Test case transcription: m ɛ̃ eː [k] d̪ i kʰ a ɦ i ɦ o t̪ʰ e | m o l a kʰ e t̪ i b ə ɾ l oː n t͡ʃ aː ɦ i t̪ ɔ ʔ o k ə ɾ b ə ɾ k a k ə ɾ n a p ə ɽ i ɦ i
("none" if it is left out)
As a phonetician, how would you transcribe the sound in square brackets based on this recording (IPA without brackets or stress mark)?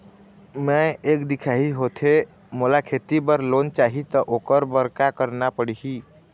k